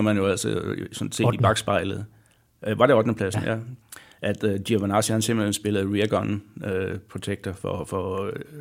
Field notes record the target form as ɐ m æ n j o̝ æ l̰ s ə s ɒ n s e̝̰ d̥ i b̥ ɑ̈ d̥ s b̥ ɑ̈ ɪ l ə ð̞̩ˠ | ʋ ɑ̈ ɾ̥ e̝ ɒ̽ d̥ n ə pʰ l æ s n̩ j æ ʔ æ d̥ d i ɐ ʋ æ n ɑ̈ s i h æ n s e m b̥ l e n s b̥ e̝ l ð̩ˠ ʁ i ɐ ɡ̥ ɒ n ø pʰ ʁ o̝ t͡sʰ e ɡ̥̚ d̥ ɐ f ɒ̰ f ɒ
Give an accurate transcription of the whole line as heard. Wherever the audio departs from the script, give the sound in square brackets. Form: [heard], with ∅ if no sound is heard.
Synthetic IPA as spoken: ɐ m æ n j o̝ æ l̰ s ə s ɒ n s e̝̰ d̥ i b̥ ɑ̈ [ɡ̥] s b̥ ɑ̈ ɪ l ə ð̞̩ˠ | ʋ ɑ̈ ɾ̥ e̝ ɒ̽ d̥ n ə pʰ l æ s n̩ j æ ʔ æ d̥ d i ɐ ʋ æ n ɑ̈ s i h æ n s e m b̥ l e n s b̥ e̝ l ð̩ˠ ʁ i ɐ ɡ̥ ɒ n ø pʰ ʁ o̝ t͡sʰ e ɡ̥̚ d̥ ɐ f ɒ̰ f ɒ